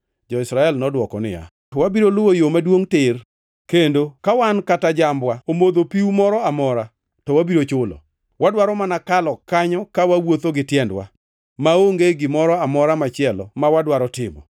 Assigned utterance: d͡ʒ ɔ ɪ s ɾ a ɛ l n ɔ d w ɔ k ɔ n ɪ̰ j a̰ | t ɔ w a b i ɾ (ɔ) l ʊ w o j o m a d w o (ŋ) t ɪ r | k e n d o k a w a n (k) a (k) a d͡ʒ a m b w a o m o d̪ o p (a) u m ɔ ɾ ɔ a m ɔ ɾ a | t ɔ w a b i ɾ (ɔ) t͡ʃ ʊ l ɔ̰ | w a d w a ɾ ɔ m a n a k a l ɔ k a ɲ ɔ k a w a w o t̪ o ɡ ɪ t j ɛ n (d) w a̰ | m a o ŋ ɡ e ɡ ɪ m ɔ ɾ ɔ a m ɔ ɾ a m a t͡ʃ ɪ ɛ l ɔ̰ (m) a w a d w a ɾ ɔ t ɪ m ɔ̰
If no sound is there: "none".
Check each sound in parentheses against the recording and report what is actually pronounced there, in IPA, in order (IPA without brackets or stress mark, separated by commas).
o, ŋ, k, t, i, o, d, m